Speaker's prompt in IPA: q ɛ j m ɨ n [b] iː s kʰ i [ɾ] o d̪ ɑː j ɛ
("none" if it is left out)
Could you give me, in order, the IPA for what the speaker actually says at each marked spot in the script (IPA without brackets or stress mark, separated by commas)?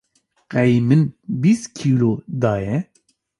b, l